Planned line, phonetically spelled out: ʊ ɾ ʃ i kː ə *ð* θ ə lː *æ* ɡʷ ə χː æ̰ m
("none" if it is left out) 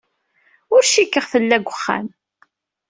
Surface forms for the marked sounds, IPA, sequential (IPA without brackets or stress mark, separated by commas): ʁ, æ